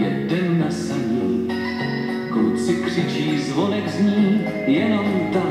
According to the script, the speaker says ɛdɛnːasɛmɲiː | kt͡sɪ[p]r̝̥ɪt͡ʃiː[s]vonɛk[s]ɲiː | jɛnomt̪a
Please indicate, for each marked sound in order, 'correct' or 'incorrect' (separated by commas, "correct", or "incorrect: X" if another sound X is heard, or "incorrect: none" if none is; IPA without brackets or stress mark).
incorrect: k, incorrect: z, incorrect: z